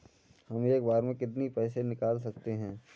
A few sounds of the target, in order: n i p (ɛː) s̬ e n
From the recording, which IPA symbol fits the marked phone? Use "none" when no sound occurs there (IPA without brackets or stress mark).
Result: ɛː